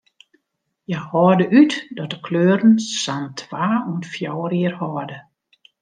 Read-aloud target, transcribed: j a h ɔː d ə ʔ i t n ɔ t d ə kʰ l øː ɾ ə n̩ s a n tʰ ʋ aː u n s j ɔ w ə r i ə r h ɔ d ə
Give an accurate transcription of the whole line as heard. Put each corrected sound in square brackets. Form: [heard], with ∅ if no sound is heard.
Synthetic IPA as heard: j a h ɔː d ə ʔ [y] t [d] ɔ t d ə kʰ l øː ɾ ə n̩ s a n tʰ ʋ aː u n [f] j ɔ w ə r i ə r h ɔ d ə